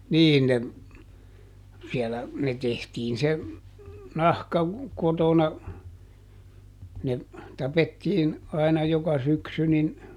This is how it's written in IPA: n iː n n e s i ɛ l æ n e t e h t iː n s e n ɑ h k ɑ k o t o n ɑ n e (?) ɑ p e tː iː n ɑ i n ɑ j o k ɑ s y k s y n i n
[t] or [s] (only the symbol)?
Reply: t